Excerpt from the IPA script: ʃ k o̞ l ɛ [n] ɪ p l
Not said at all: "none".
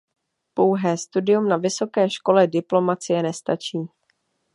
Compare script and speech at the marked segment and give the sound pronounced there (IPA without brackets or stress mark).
d